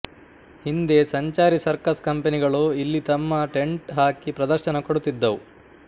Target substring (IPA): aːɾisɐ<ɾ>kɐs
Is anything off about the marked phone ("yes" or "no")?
no